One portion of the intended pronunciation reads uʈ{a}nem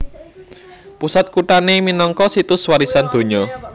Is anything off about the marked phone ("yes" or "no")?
no